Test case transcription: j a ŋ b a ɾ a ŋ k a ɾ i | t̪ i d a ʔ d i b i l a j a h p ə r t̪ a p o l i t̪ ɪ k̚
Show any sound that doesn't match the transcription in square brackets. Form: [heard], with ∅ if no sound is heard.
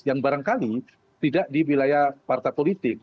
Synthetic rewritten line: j a ŋ b a ɾ a ŋ k a [l] i | t̪ i d a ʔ d i [w] i l a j a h p [a] r t̪ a p o l i t̪ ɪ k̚